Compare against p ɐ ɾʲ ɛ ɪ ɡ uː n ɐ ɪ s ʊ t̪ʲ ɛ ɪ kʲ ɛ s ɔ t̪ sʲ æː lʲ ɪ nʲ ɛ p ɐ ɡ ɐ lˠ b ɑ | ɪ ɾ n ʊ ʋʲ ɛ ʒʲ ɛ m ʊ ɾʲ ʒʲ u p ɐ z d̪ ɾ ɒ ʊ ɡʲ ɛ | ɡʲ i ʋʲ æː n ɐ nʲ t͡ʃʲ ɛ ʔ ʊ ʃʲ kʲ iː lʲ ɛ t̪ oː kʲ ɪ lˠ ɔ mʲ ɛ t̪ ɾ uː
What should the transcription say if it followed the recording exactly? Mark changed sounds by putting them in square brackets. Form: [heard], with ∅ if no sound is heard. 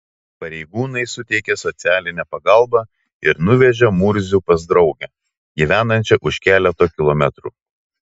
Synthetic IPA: p ɐ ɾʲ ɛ ɪ ɡ uː n ɐ ɪ s ʊ t̪ʲ ɛ ɪ kʲ ɛ s ɔ t̪ sʲ æː lʲ ɪ nʲ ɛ p ɐ ɡ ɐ lˠ b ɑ | ɪ ɾ n ʊ ʋʲ ɛ ʒʲ ɛ m ʊ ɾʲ [zʲ] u p ɐ z d̪ ɾ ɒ ʊ ɡʲ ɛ | ɡʲ i ʋʲ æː n ɐ nʲ t͡ʃʲ ɛ ʔ ʊ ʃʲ kʲ [æː] lʲ ɛ t̪ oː kʲ ɪ lˠ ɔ mʲ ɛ t̪ ɾ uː